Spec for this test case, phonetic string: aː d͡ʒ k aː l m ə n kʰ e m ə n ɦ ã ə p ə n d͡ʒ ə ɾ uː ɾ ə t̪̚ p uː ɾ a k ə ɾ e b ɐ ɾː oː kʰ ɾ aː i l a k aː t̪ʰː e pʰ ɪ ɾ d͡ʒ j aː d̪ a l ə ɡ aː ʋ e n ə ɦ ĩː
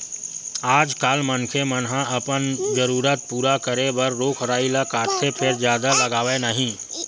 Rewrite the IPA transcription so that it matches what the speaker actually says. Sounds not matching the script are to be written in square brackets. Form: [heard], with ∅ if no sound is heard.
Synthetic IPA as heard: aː d͡ʒ k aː l m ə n kʰ e m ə n ɦ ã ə p ə n d͡ʒ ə ɾ uː ɾ ə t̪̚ p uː ɾ a k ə ɾ e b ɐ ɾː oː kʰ ɾ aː i l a k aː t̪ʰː e pʰ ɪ ɾ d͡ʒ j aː d̪ a l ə ɡ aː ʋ e n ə ɦ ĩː